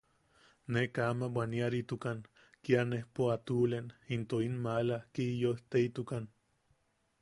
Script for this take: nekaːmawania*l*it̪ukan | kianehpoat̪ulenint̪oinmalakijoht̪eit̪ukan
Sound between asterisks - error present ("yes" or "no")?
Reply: yes